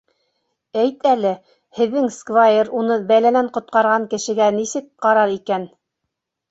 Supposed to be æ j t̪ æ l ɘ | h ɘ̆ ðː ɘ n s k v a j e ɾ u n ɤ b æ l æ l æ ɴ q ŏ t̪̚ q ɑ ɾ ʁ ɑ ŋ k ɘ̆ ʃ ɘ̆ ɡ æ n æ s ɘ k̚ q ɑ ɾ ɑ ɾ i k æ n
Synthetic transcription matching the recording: æ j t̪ æ l ɘ | h ɘ̆ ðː ɘ ŋ s k v a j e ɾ u n ɤ b æ l æ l æ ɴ q ŏ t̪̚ q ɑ ɾ ʁ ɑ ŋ k ɘ̆ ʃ ɘ̆ ɡ æ n i s ɘ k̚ q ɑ ɾ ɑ ɾ i k æ n